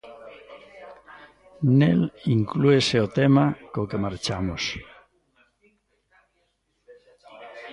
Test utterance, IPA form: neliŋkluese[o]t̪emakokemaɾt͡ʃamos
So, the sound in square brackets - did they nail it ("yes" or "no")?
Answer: yes